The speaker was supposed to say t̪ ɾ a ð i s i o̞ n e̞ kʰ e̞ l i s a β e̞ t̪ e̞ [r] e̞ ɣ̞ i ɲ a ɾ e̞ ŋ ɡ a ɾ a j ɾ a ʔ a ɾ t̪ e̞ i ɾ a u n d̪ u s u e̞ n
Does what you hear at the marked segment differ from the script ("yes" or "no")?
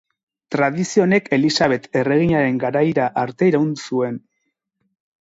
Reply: no